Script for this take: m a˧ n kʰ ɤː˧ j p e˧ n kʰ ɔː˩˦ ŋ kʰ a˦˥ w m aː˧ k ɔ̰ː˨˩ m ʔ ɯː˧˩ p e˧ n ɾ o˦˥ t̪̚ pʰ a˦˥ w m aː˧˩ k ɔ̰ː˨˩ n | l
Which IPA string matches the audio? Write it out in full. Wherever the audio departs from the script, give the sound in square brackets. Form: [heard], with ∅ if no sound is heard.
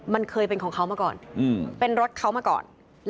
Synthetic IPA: m a˧ n kʰ ɤː˧ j p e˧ n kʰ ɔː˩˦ ŋ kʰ a˦˥ w m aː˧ k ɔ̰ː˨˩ [n] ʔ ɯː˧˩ p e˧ n ɾ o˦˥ t̪̚ [kʰ] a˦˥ w m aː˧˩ k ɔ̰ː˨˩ n | l